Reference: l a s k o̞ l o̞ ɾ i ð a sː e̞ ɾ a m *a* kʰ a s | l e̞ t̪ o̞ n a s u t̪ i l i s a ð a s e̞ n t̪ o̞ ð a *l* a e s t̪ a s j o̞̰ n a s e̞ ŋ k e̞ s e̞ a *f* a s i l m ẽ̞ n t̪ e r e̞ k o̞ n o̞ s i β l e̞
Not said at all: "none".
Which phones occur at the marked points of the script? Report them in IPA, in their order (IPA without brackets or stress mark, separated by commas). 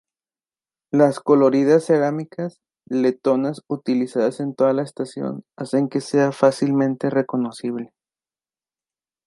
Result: i, l, f